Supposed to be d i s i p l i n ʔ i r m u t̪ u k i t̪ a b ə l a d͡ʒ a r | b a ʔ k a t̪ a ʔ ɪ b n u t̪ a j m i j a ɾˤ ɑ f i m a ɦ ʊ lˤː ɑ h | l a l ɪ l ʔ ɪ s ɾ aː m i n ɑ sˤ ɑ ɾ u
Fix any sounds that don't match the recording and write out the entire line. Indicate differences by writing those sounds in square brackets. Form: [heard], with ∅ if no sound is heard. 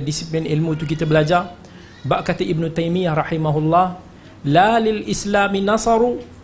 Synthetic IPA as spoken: d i s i p l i n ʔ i [l] m u t̪ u k i t̪ a b ə l a d͡ʒ a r | b a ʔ k a t̪ a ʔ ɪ b n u t̪ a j m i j a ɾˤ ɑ [ħ] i m a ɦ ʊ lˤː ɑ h | l a l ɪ l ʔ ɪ s [l] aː m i n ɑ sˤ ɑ ɾ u